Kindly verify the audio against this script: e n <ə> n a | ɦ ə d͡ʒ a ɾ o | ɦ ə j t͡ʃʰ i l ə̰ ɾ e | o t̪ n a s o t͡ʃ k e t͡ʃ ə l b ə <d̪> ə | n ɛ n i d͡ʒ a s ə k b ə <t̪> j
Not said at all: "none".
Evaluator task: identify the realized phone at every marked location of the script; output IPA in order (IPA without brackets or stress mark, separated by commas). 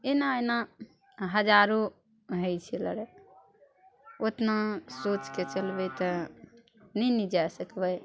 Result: a, t̪, none